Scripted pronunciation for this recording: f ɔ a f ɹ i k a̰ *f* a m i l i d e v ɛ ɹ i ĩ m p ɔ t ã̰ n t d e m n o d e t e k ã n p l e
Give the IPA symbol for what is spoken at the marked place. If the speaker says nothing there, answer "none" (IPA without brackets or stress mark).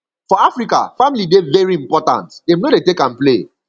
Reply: f